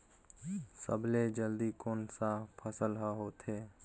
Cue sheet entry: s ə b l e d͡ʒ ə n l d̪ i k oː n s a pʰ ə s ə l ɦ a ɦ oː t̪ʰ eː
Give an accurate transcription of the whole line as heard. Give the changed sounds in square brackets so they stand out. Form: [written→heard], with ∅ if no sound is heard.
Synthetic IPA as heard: s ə b l e d͡ʒ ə [n→∅] l d̪ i k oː n s a pʰ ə s ə l ɦ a ɦ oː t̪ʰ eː